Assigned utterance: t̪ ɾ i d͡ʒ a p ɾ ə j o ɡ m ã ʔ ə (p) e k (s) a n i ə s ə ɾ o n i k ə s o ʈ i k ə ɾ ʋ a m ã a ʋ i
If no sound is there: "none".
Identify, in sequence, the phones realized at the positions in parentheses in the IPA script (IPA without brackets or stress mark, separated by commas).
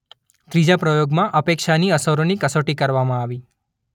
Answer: p, ʃ